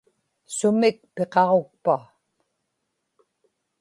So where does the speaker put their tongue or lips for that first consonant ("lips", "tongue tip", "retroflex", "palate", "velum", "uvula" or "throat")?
tongue tip